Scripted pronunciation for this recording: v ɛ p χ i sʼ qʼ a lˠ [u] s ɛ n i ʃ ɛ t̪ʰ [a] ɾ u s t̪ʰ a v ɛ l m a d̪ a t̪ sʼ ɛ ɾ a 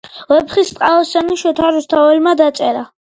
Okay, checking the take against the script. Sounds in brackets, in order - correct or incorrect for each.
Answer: incorrect: ɔ, correct

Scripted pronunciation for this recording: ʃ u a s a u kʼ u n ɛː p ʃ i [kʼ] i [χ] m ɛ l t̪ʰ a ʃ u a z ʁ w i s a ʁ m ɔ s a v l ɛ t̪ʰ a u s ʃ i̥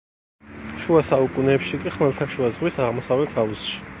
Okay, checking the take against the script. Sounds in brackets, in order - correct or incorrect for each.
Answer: correct, correct

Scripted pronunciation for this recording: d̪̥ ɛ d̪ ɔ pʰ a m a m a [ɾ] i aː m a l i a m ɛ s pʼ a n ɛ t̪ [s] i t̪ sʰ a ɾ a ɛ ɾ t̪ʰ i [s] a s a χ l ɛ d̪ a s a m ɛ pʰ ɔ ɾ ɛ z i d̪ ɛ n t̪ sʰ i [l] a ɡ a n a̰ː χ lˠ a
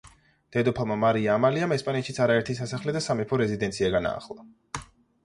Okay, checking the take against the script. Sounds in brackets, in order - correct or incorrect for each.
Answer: correct, incorrect: ʃ, correct, incorrect: none

